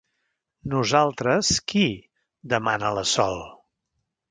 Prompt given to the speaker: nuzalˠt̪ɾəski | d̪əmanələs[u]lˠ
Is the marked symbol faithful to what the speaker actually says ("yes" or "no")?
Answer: no